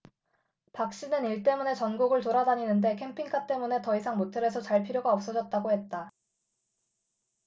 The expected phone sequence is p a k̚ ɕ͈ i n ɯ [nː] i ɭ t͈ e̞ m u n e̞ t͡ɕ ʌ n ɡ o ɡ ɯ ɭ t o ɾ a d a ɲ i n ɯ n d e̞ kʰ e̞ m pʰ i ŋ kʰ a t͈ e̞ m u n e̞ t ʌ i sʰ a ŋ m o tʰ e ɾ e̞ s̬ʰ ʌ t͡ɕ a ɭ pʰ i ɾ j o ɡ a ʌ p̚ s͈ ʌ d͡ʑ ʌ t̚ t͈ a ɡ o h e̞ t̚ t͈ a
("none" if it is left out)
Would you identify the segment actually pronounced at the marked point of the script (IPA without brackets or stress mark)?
n